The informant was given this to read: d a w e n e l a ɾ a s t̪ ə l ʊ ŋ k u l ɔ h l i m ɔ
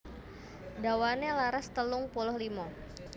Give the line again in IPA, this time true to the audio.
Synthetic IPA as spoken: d a w a n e l a ɾ a s t̪ ə l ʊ ŋ p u l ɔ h l i m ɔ